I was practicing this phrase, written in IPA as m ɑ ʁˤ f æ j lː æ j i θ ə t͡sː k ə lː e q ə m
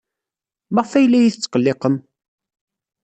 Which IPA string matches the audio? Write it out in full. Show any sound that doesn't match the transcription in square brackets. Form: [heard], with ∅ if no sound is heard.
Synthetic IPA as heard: m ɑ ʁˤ f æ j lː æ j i θ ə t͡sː [q] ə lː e q ə m